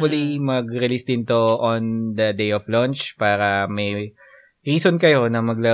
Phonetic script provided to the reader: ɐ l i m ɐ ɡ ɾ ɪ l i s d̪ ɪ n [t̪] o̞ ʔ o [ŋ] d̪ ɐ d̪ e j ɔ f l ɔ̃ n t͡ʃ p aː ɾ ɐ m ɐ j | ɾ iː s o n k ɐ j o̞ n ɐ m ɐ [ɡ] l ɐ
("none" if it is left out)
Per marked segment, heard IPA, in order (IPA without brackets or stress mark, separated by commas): t̪, n, ɡ